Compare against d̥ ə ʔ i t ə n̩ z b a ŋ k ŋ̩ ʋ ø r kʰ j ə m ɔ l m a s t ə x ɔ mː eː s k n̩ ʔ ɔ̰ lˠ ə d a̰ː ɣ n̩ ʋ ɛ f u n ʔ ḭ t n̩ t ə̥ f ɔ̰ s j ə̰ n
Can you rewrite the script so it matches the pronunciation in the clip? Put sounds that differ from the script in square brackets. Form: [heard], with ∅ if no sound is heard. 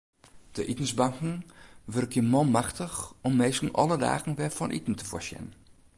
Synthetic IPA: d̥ ə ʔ i t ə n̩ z b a ŋ k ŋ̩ ʋ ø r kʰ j ə m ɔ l m a [x] t ə x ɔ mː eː s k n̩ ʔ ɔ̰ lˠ ə d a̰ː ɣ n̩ ʋ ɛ f [ɔ] n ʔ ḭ t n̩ t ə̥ f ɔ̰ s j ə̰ n